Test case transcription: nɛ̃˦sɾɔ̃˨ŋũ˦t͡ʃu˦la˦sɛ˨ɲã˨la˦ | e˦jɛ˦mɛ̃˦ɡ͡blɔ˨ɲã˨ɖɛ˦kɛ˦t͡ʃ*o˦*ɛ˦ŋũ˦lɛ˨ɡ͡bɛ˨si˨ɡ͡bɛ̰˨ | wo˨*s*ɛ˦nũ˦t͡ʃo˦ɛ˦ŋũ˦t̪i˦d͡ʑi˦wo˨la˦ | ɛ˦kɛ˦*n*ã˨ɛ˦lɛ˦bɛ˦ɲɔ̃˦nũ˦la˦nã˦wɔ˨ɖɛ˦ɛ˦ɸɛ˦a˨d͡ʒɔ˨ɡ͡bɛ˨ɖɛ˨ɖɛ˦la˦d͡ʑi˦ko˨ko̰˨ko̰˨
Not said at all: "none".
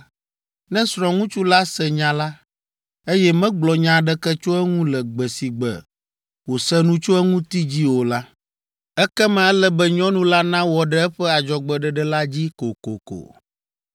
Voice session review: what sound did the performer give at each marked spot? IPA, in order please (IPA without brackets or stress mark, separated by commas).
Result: o˦, s, m